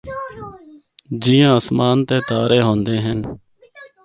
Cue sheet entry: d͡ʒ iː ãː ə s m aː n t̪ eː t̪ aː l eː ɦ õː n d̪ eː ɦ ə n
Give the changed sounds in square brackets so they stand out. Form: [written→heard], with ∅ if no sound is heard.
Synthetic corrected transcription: d͡ʒ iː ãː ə s m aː n t̪ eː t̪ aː [l→ɾ] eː ɦ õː n d̪ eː ɦ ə n